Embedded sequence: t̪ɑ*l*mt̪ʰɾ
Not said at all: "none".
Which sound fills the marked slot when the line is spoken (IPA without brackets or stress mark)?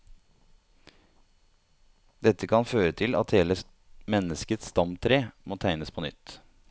none